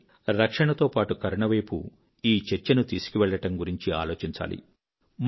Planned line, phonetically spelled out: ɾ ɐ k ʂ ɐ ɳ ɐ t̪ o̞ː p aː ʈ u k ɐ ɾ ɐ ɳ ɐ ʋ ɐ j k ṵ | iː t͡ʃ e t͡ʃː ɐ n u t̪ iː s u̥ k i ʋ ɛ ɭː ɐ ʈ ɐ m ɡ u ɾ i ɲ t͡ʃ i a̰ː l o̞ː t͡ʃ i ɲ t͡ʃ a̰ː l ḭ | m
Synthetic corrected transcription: ɾ ɐ k ʂ ɐ ɳ ɐ t̪ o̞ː p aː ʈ u k ɐ ɾ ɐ ɳ ɐ ʋ ɐ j p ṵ | iː t͡ʃ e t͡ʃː ɐ n u t̪ iː s u̥ k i ʋ ɛ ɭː ɐ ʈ ɐ m ɡ u ɾ i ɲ t͡ʃ i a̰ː l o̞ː t͡ʃ i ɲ t͡ʃ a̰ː l ḭ | m